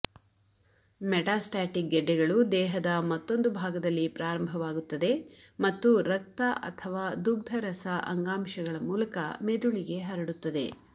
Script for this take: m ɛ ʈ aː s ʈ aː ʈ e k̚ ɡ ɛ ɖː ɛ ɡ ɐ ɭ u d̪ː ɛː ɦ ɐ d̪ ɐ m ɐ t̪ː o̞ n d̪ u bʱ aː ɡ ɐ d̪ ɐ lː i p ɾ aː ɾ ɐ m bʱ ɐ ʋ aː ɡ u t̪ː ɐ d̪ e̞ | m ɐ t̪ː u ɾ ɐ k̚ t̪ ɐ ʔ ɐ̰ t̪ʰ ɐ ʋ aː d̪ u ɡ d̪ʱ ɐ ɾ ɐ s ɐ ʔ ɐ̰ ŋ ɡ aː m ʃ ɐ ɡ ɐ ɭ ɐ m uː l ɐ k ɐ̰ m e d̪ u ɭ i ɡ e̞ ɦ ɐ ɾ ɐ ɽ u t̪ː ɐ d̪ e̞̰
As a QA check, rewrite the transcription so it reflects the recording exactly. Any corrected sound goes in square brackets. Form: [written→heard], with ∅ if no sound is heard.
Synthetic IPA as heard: m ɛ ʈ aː s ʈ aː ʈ [e→i] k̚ ɡ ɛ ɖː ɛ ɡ ɐ ɭ u [d̪ː→d̪] ɛː ɦ ɐ d̪ ɐ m ɐ t̪ː o̞ n d̪ u bʱ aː ɡ ɐ d̪ ɐ lː i p ɾ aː ɾ ɐ m bʱ ɐ ʋ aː ɡ u t̪ː ɐ d̪ e̞ | m ɐ t̪ː u ɾ ɐ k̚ t̪ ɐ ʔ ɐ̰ t̪ʰ ɐ ʋ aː d̪ u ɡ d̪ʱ ɐ ɾ ɐ s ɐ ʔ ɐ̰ ŋ ɡ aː m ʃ ɐ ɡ ɐ ɭ ɐ m uː l ɐ k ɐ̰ m e d̪ u ɭ i ɡ e̞ ɦ ɐ ɾ ɐ ɽ u t̪ː ɐ d̪ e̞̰

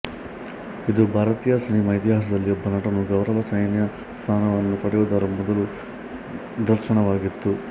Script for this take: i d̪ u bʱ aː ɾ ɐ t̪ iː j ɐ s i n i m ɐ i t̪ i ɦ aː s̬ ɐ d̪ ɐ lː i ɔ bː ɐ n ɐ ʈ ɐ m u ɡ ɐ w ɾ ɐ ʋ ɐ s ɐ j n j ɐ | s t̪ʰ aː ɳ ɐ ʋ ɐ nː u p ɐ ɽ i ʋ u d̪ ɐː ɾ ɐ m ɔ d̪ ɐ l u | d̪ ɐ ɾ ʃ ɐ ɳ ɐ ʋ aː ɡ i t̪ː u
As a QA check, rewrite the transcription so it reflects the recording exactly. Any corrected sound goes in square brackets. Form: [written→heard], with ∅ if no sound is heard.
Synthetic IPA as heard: i d̪ u bʱ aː ɾ ɐ t̪ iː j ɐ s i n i m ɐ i t̪ i ɦ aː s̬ ɐ d̪ ɐ lː i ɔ bː ɐ n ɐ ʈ ɐ [m→n] u ɡ ɐ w ɾ ɐ ʋ ɐ s ɐ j n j ɐ | s t̪ʰ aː [ɳ→n] ɐ ʋ ɐ nː u p ɐ ɽ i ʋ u d̪ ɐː ɾ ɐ m ɔ d̪ ɐ l u | d̪ ɐ ɾ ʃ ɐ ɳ ɐ ʋ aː ɡ i t̪ː u

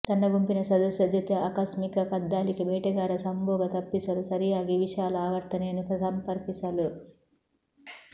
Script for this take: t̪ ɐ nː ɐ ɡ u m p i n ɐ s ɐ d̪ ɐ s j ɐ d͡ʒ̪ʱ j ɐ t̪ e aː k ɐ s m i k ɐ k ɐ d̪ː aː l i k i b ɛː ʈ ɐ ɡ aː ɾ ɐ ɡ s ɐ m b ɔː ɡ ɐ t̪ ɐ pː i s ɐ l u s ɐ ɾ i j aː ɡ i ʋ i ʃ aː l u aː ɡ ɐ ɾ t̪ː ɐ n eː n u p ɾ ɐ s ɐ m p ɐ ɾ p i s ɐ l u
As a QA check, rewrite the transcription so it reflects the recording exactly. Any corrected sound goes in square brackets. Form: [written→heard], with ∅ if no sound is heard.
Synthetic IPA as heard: t̪ ɐ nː ɐ ɡ u m p i n ɐ s ɐ d̪ ɐ s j ɐ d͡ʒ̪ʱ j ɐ t̪ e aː k ɐ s m i k ɐ k ɐ d̪ː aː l i k i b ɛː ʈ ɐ ɡ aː ɾ ɐ [ɡ→∅] s ɐ m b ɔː ɡ ɐ t̪ ɐ pː i s ɐ l u s ɐ ɾ i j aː ɡ i ʋ i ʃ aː l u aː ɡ ɐ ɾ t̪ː ɐ n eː n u p ɾ ɐ s ɐ m p ɐ ɾ p i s ɐ l u

